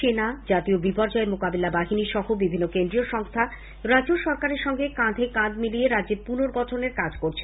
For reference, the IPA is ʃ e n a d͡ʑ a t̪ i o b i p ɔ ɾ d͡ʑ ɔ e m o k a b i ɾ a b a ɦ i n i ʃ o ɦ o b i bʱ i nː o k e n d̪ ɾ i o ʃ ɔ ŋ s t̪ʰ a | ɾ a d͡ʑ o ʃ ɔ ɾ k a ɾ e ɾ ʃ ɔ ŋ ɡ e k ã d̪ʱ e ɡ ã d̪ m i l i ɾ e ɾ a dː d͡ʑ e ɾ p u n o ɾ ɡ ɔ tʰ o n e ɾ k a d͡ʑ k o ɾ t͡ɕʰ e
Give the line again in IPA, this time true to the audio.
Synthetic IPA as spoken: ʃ e n a d͡ʑ a t̪ i o b i p ɔ ɾ d͡ʑ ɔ e m o k a b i l a b a ɦ i n i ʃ ɔ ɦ o b i bʱ i nː o k e n d̪ ɾ i o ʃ ɔ ŋ s t̪ʰ a | ɾ a d͡ʑ o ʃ ɔ ɾ k a ɾ e ɾ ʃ ɔ ŋ ɡ e k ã d̪ʱ e k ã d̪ m i l i e ɾ a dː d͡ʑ e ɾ p u n o ɾ ɡ ɔ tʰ o n e ɾ k a d͡ʑ k o ɾ t͡ɕʰ e